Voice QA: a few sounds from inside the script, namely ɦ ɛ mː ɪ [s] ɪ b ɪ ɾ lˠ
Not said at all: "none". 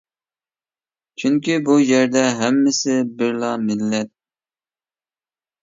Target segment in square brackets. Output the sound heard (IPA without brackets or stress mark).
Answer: s